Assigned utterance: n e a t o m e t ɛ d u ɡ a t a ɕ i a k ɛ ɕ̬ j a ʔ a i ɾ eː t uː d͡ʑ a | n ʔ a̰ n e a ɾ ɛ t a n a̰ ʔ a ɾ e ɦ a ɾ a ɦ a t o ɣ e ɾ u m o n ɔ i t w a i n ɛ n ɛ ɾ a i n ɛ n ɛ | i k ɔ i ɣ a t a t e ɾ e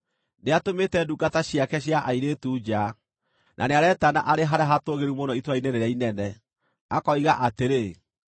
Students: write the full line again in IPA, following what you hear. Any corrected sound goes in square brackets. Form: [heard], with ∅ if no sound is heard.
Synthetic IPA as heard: n e a t o m e t ɛ d u ɡ a t a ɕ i a k ɛ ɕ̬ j a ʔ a i ɾ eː t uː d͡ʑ a | n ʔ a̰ n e a ɾ ɛ t a n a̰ ʔ a ɾ e ɦ a ɾ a ɦ a t o ɣ e ɾ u m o n ɔ i t w a i n ɛ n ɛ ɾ a i n ɛ n ɛ | [a] k ɔ i ɣ a [ʔ] a t e ɾ e